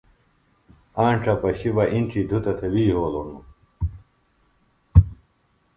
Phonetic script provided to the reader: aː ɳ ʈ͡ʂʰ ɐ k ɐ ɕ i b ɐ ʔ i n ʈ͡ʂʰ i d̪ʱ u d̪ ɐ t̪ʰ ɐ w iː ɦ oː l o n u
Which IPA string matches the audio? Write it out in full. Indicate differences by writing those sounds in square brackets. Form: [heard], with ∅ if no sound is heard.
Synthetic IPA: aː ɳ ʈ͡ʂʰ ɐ [p] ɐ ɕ i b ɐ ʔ i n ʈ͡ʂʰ i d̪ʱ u [t̪] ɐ t̪ʰ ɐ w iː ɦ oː l o n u